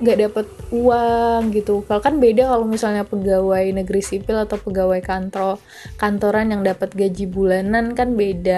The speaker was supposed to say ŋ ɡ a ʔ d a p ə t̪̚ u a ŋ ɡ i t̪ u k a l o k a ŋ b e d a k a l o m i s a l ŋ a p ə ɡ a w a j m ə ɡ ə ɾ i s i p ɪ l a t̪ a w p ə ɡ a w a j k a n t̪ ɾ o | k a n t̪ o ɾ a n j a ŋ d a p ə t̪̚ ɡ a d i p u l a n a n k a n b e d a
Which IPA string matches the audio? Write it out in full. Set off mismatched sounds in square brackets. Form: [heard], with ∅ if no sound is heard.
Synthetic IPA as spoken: ŋ ɡ a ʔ d a p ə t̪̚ u a ŋ ɡ i t̪ u k a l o k a [n] b e d a k a l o m i s a l [ɲ] a p ə ɡ a w a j [n] ə ɡ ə ɾ i s i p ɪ l a t̪ a w p ə ɡ a w a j k a n t̪ ɾ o | k a n t̪ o ɾ a n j a ŋ d a p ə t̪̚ ɡ a [d͡ʒ] i [b] u l a n a n k a n b e d a